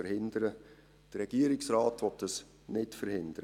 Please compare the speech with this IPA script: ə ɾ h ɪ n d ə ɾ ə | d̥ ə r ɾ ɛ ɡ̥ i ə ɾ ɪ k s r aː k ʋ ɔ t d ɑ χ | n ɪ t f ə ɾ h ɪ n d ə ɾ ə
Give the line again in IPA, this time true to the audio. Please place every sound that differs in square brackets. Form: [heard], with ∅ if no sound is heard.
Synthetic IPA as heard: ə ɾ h ɪ n d ə ɾ ə | d̥ ə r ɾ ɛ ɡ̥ i ə ɾ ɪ k s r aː [t] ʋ ɔ t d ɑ [s] | n ɪ t f ə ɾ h ɪ n d ə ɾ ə